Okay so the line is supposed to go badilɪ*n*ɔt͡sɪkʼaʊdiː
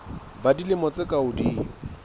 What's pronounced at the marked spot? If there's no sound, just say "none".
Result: m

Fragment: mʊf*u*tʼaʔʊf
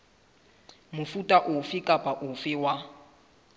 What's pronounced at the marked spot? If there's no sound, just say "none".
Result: u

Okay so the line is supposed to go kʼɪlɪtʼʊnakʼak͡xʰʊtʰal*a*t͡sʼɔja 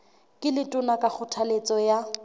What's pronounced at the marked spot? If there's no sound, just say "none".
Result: e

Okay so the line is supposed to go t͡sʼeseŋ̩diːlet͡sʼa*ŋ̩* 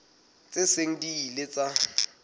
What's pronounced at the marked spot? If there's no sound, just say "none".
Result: none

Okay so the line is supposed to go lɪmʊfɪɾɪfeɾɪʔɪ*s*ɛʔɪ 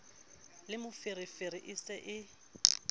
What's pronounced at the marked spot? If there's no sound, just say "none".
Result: s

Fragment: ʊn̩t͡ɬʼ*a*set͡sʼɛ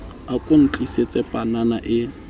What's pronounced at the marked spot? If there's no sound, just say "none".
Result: i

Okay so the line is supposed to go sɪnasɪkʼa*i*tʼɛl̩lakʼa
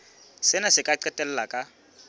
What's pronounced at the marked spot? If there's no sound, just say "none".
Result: ɛ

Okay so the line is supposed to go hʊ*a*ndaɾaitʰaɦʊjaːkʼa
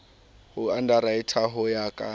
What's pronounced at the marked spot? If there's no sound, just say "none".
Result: a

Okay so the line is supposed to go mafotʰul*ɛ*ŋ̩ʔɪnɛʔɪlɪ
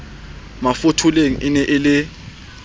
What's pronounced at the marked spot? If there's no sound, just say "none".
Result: e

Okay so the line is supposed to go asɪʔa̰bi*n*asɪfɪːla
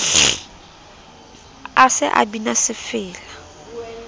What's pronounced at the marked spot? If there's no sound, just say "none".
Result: n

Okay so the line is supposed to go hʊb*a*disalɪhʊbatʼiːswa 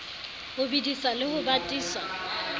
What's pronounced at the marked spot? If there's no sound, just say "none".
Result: i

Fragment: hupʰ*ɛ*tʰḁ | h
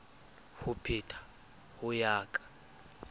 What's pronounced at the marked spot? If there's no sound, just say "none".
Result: i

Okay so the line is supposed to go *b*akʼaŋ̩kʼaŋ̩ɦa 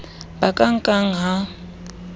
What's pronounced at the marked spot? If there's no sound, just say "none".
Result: b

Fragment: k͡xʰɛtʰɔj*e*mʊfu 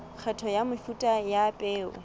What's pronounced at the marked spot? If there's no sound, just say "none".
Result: a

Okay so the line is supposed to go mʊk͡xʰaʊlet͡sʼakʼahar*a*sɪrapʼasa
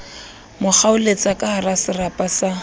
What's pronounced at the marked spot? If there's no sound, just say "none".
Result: a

